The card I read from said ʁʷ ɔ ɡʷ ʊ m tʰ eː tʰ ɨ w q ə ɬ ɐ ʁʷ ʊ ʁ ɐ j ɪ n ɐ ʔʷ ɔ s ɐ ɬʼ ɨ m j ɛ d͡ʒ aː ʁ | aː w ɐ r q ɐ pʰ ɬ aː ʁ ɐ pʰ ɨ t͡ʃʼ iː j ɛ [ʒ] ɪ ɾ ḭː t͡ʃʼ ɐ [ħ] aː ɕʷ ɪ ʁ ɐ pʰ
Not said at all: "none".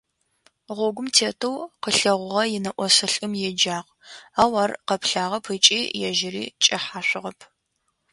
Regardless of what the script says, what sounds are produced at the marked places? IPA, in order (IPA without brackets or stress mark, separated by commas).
ʒ, ħ